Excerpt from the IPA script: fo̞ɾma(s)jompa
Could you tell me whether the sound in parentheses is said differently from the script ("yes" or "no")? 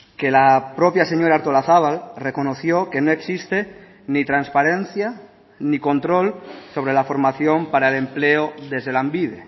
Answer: yes